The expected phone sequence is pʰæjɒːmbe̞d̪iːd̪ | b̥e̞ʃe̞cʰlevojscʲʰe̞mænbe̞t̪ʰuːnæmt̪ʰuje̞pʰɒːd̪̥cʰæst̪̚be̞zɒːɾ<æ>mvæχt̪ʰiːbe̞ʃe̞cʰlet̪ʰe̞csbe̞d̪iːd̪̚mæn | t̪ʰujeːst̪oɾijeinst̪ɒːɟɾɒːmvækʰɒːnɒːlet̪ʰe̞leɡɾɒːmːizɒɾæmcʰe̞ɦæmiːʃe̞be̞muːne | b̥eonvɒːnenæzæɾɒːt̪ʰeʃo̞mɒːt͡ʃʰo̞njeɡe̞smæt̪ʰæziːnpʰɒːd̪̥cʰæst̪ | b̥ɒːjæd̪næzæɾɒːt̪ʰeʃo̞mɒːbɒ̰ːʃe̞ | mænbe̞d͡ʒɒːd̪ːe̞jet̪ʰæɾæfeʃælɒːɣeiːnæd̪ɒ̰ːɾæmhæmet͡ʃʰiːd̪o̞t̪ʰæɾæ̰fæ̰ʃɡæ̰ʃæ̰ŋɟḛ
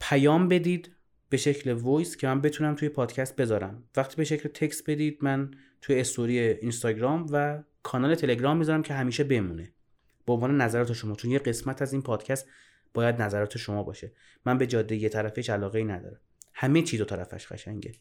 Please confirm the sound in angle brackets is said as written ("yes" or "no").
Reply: yes